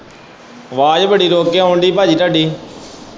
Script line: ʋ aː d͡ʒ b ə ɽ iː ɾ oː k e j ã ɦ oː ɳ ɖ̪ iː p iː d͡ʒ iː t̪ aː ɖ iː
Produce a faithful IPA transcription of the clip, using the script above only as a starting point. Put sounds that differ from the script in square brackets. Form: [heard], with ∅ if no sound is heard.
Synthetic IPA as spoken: ʋ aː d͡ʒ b ə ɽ iː ɾ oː k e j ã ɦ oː ɳ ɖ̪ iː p [aː] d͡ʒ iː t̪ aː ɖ iː